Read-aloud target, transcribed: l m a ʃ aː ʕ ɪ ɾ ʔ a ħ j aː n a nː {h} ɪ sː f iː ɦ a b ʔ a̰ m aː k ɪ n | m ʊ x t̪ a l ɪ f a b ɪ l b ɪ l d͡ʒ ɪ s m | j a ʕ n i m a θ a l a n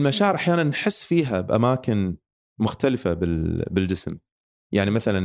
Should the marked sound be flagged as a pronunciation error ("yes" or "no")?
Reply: yes